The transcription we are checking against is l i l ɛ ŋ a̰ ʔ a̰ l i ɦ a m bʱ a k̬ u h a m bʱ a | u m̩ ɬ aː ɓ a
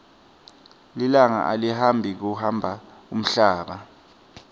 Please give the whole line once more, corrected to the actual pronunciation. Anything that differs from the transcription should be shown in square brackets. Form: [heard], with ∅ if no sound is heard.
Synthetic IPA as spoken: l i l [a] ŋ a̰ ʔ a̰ l i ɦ a m bʱ [i] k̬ u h a m bʱ a | u m̩ ɬ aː ɓ a